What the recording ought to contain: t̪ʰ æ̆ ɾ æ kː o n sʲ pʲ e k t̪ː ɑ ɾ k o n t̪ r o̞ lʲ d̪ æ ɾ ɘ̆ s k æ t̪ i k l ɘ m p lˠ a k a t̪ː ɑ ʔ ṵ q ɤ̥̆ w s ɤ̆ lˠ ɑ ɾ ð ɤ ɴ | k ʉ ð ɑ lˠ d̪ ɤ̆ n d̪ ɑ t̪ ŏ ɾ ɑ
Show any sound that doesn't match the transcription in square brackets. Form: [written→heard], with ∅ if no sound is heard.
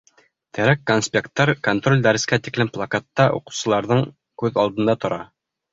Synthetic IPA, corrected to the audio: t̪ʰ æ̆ ɾ æ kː o n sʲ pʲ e k t̪ː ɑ ɾ k o n t̪ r o̞ lʲ d̪ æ ɾ ɘ̆ s k æ t̪ i k l ɘ m p lˠ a k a t̪ː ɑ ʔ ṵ q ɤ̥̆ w s ɤ̆ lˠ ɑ ɾ ð ɤ ɴ | k ʉ ð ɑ lˠ d̪ ɤ̆ n d̪ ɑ t̪ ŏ ɾ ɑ